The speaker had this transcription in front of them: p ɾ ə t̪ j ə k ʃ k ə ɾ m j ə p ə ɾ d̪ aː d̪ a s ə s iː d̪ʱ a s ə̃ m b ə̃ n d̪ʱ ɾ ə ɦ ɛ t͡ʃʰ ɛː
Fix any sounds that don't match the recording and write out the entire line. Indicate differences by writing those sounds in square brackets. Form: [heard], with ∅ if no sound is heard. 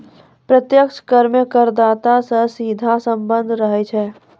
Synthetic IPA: p ɾ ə t̪ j ə k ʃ k ə ɾ m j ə [k] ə ɾ d̪ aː [t̪] a s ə s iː d̪ʱ a s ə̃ m b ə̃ n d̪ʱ ɾ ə ɦ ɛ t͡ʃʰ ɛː